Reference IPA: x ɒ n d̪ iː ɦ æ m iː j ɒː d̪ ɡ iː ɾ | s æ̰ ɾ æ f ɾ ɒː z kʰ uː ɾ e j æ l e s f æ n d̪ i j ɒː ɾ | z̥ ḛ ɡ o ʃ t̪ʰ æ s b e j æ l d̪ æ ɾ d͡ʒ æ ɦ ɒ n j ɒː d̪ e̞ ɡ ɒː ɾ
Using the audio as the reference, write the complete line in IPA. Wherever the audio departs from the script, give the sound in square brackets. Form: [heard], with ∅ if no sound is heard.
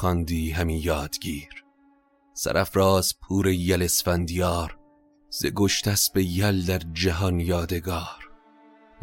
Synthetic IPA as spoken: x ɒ n d̪ iː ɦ æ m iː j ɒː d̪ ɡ iː ɾ | s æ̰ ɾ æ f ɾ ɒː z [pʰ] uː ɾ e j æ l e s f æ n d̪ i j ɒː ɾ | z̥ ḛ ɡ o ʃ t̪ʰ æ s b e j æ l d̪ æ ɾ d͡ʒ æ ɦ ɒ n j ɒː d̪ e̞ ɡ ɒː ɾ